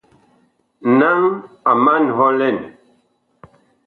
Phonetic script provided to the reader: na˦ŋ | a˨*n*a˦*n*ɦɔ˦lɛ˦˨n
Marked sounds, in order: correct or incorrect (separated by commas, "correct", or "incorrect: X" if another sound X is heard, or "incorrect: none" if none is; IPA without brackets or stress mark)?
incorrect: m, correct